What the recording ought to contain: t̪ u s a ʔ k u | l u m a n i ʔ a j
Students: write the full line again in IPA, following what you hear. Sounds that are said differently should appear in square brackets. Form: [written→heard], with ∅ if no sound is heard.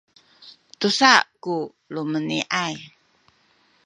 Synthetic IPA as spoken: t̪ u s a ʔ k u | l u m [a→ə] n i ʔ a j

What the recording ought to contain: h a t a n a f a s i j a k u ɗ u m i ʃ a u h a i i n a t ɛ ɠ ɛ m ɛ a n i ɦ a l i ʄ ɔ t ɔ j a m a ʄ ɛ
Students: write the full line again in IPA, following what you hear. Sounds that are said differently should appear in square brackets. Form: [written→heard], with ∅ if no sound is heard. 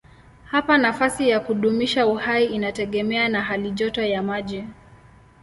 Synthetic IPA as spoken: h a [t→p] a n a f a s i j a k u ɗ u m i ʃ a u h a i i n a t ɛ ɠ ɛ m ɛ a n [i→a] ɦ a l i ʄ ɔ t ɔ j a m a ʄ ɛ

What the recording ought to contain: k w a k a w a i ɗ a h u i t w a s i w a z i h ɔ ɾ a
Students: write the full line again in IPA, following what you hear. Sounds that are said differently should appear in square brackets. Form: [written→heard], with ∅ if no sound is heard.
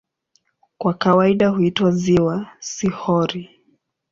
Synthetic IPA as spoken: k w a k a w a i ɗ a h u i t w a [s→z] i w a [z→s] i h ɔ ɾ [a→i]

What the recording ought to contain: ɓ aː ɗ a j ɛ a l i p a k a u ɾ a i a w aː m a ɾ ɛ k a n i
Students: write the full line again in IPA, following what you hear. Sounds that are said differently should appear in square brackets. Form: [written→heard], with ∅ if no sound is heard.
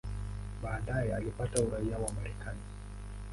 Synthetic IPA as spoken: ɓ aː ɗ a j ɛ a l i p a [k→t] a u ɾ a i a w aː m a ɾ ɛ k a n i

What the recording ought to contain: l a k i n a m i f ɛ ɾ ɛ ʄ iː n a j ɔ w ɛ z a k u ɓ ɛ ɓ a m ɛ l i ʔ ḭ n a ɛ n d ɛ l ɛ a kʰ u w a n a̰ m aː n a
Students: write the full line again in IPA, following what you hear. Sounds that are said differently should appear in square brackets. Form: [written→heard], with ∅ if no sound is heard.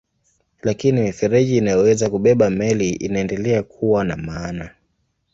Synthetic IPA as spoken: l a k i n [a→i] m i f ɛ ɾ ɛ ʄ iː n a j ɔ w ɛ z a k u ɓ ɛ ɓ a m ɛ l i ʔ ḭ n a ɛ n d ɛ l ɛ a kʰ u w a n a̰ m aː n a

